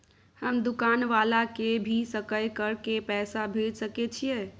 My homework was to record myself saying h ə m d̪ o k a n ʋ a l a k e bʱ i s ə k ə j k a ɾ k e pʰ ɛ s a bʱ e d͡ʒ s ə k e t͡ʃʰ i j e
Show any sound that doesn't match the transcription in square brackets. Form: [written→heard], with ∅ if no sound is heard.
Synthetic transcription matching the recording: h ə m d̪ [o→u] k a n ʋ a l a k e bʱ i s ə k ə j k [a→ə] ɾ k e [pʰ→p] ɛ s a bʱ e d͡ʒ s ə k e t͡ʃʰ i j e